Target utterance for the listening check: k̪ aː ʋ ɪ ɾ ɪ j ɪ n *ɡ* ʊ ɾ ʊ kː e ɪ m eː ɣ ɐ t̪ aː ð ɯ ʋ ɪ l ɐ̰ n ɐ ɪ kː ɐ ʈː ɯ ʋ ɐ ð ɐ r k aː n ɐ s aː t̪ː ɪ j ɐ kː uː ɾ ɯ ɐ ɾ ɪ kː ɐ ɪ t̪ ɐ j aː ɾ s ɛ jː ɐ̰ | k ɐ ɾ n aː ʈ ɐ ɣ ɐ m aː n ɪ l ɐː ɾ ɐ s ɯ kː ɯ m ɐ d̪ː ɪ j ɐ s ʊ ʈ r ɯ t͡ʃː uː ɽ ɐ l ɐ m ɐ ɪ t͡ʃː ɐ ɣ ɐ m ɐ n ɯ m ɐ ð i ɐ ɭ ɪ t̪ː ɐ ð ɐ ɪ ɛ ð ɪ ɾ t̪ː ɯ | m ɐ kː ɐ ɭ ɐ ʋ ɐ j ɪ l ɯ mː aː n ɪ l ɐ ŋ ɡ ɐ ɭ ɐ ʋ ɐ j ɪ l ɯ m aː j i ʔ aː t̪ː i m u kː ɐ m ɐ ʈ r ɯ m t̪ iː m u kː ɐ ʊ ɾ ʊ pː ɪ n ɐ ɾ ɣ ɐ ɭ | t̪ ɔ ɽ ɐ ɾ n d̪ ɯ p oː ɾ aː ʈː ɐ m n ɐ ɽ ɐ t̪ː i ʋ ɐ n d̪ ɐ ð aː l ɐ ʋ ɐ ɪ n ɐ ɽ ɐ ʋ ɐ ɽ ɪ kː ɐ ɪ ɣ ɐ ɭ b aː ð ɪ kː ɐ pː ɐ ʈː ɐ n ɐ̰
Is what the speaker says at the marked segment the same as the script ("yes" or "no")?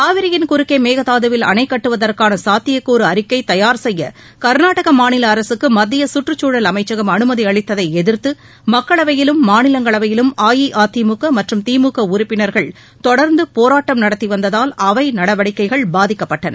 no